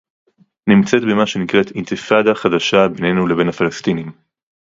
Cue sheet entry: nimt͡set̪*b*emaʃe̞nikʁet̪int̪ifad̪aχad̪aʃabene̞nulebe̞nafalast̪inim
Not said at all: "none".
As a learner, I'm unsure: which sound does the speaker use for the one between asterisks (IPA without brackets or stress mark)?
b